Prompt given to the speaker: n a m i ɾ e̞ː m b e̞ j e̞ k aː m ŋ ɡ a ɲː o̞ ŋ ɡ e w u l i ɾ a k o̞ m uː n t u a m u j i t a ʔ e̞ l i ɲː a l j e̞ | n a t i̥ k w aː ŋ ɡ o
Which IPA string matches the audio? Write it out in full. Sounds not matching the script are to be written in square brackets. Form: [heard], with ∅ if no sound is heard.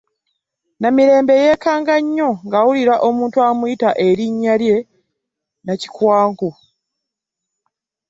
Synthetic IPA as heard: n a m i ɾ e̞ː m b e̞ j e̞ k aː [∅] ŋ ɡ a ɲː o̞ ŋ ɡ [a] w u l i ɾ a [ʔ] o̞ m uː n t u a m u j i t a ʔ e̞ [ɾ] i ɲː a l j e̞ | n a [c] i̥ k w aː ŋ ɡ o